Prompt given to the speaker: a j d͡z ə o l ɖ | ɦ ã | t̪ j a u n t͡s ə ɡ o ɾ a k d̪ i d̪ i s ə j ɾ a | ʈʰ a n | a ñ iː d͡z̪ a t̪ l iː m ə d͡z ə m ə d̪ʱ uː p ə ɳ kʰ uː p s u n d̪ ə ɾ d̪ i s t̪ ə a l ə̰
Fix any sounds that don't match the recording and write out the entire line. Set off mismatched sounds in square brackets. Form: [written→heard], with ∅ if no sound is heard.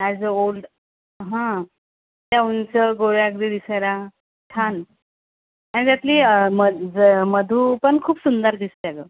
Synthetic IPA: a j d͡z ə o l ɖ | ɦ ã | t̪ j a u n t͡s ə ɡ o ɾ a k d̪ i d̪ i s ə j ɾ a | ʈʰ a n | a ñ [iː→i] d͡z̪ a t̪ l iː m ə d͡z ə m ə d̪ʱ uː p ə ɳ kʰ uː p s u n d̪ ə ɾ d̪ i s t̪ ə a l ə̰